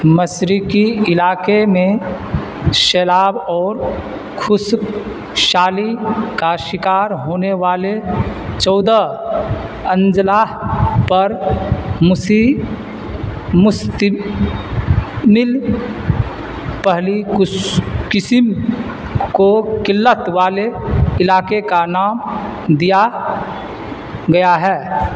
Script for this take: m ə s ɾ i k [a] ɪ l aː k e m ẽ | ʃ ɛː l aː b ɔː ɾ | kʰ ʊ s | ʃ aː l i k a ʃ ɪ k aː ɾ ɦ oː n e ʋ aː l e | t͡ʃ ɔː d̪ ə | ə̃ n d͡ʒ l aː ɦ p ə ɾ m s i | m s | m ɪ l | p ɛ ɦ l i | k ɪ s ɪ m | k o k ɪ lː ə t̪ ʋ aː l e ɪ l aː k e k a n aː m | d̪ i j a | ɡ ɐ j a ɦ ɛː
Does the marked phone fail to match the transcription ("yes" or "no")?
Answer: yes